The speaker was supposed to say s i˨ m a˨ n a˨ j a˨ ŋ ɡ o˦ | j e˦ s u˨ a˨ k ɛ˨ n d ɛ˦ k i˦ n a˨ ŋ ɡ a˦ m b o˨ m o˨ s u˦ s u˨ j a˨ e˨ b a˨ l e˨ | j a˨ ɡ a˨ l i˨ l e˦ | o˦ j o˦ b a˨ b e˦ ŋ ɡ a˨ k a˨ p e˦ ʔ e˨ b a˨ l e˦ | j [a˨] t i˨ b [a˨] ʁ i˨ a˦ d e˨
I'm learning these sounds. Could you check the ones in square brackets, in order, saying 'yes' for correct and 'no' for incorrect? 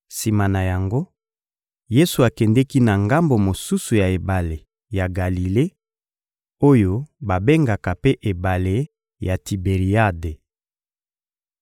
yes, no

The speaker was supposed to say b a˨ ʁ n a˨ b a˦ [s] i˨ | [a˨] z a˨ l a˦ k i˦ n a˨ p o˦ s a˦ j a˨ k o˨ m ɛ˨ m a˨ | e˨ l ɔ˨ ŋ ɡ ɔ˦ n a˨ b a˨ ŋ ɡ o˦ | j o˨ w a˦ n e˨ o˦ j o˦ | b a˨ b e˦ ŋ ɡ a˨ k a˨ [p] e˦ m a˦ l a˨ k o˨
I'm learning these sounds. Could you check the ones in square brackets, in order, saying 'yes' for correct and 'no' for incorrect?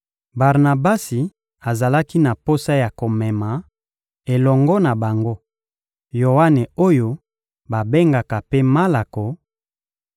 yes, yes, yes

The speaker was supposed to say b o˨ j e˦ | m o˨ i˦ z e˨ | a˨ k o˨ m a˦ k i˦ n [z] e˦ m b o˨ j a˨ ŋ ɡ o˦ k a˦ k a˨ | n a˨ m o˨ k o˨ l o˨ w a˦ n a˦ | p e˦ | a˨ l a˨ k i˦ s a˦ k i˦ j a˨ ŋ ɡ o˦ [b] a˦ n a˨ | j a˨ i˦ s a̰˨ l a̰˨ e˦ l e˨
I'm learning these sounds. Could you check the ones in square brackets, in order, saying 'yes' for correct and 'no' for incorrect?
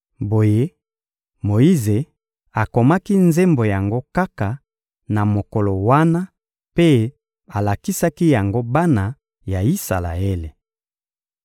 yes, yes

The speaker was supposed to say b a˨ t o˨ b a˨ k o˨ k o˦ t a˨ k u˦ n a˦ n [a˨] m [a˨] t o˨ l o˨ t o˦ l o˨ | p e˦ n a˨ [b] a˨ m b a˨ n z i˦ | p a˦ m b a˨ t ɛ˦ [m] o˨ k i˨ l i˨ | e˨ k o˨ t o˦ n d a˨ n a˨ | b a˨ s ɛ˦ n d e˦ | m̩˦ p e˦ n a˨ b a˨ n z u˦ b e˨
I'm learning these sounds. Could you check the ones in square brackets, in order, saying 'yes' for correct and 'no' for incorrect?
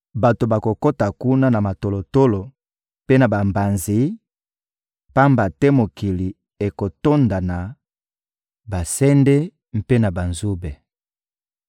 yes, yes, yes, yes

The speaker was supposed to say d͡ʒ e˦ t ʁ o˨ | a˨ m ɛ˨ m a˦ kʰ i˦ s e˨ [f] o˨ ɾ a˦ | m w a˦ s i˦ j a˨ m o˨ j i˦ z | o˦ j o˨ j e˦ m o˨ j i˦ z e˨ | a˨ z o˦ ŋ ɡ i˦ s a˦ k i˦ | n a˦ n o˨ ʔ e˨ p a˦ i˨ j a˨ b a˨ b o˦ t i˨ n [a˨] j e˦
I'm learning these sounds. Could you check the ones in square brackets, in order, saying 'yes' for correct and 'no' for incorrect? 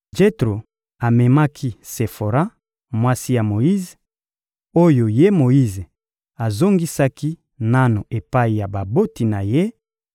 yes, yes

